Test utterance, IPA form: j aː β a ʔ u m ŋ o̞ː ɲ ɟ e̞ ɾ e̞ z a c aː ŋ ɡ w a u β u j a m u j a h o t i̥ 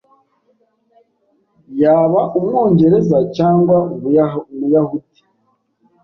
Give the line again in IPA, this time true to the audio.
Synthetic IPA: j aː β a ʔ u m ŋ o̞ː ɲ ɟ e̞ ɾ e̞ z a c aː ŋ ɡ w a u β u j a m u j a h u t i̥